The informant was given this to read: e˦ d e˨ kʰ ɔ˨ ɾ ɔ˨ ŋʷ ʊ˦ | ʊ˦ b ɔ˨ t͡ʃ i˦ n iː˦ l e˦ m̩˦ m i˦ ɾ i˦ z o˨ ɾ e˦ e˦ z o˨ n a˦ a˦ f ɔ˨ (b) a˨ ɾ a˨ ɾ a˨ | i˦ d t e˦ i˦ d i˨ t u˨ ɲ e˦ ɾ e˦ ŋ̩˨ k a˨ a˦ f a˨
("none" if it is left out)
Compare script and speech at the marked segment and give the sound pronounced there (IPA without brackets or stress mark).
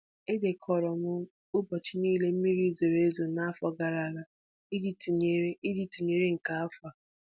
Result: ɡ